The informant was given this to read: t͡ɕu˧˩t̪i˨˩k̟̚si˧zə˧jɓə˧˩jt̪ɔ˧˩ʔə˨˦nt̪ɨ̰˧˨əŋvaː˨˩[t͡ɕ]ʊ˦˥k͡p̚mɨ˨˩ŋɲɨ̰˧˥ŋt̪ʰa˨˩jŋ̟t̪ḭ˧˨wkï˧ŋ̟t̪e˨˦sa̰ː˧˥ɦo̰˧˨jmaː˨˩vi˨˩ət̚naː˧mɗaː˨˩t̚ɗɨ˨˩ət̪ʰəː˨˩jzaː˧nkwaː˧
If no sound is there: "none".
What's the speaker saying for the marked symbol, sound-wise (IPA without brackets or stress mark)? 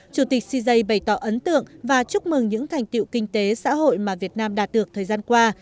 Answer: t͡ɕ